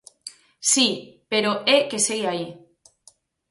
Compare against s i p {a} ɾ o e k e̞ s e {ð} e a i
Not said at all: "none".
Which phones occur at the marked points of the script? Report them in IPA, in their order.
e, ɣ

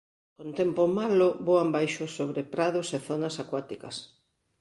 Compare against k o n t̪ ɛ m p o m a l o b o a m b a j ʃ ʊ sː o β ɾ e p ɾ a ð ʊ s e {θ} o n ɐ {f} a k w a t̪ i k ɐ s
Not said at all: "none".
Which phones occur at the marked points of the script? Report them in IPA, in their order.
θ, s

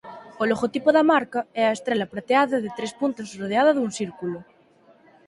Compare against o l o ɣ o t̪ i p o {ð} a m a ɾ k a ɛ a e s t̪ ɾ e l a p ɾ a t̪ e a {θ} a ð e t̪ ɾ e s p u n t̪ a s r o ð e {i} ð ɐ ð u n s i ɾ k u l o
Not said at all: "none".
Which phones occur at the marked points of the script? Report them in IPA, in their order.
ð, ð, a

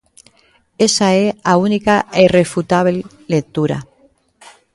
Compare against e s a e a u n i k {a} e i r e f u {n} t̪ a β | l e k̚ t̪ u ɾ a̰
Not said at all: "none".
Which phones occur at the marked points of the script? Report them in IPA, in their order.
a, none

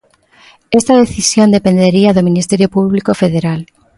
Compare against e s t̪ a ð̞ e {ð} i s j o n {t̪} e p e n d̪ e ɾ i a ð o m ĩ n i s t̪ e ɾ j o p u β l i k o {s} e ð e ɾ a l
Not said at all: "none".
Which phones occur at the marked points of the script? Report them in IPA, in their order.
θ, d̪, f

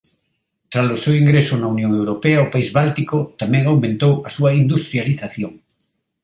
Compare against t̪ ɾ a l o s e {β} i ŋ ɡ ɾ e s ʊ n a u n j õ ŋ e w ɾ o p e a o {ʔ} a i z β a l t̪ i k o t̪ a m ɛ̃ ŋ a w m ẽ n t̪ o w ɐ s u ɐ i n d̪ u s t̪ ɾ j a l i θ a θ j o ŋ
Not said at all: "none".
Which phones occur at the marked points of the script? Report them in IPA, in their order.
w, p

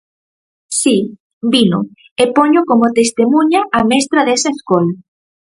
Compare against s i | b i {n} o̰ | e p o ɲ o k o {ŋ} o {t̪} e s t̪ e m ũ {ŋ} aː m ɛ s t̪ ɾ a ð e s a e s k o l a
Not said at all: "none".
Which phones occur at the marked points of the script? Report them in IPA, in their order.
n, m, t̪, ɲ

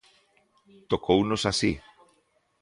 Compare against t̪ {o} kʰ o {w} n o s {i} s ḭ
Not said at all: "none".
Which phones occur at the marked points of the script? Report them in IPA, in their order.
o, w, a

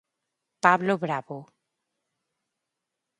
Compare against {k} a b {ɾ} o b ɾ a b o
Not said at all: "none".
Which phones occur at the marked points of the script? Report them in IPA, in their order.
p, l

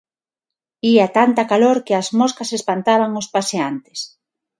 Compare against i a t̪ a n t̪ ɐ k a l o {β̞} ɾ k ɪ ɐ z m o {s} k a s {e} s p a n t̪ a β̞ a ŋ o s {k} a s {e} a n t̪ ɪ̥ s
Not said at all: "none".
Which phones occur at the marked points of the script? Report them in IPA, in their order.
none, s, e, p, e

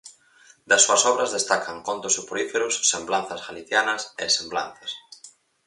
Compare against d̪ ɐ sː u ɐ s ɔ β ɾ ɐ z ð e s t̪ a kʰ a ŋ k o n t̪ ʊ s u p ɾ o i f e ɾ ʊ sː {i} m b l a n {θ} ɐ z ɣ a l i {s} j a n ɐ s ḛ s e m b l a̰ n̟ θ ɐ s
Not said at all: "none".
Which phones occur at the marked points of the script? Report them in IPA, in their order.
e, θ, θ

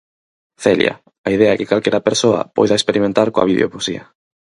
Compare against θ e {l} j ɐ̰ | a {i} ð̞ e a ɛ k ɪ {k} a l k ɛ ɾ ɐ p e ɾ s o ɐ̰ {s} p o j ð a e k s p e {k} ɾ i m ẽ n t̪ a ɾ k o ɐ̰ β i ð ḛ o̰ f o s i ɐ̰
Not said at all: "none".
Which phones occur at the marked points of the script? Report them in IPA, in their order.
l, i, k, none, none

